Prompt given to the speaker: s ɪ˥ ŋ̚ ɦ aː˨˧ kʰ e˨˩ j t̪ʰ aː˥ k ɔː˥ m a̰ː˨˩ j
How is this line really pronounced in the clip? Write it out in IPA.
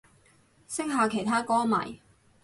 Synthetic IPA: s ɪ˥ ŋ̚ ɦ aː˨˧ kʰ e˨˩ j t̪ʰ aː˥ k ɔː˥ m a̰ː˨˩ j